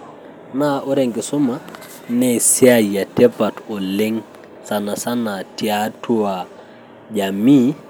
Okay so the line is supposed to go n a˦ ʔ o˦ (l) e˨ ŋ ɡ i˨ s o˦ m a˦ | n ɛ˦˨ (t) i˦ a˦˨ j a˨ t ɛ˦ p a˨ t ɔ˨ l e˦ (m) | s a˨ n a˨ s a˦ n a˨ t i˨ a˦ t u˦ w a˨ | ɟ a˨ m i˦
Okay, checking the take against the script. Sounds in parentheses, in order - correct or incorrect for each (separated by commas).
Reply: incorrect, incorrect, incorrect